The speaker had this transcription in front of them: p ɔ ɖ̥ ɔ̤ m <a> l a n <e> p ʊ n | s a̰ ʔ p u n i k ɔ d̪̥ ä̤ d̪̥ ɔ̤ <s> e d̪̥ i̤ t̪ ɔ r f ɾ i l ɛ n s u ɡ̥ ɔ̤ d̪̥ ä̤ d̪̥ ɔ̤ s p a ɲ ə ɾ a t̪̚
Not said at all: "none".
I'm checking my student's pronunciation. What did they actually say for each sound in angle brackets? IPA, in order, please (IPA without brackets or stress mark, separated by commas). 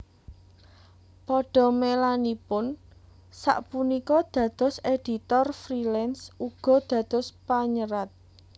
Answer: e, i, s